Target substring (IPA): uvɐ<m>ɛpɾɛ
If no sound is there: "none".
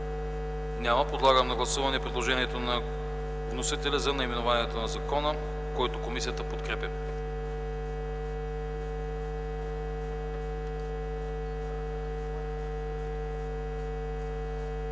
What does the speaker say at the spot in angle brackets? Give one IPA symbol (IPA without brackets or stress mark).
n